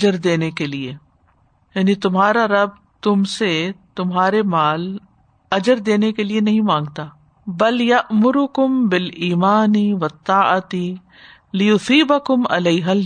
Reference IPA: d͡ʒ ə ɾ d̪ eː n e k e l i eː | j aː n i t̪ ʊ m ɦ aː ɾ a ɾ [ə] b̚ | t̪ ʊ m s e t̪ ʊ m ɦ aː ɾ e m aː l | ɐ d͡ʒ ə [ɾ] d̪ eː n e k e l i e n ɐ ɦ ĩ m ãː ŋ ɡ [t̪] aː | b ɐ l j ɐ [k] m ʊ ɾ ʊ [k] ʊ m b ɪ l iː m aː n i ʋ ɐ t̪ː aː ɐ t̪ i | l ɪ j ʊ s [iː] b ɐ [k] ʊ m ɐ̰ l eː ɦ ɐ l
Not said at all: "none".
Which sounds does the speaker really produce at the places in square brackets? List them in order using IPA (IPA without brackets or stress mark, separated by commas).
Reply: ɐ, ɾ, t̪, ʔ, k, iː, k